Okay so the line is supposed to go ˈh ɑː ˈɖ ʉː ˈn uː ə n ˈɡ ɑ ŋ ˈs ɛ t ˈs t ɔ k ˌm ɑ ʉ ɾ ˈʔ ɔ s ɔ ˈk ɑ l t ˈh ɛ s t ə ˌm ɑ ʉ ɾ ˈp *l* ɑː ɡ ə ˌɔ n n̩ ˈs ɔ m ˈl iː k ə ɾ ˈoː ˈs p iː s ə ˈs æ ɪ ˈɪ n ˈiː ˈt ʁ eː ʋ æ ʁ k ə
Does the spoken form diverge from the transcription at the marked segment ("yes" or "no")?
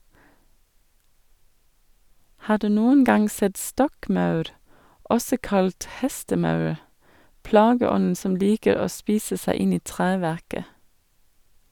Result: no